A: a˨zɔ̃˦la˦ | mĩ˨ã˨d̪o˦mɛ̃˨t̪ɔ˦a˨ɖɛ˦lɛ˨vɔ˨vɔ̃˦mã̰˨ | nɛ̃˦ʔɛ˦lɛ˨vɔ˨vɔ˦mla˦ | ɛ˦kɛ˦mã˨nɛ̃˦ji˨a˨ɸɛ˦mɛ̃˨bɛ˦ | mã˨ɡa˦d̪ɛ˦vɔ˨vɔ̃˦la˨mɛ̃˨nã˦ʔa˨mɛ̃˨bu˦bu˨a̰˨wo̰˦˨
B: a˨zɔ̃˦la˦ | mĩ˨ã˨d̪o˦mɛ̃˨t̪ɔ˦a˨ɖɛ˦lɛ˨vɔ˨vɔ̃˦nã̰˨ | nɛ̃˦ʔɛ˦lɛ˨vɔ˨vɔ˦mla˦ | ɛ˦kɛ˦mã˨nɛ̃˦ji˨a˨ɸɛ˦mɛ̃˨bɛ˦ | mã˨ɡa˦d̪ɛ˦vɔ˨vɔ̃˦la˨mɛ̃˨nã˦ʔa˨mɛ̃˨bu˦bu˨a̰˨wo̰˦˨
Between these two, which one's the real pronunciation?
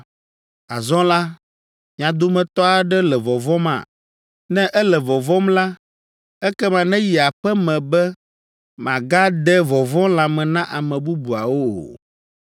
A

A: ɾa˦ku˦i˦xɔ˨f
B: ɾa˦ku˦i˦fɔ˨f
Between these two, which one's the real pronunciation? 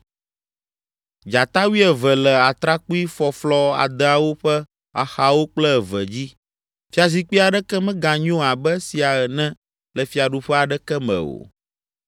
B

